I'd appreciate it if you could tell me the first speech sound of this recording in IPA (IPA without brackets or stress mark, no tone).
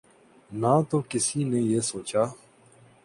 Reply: n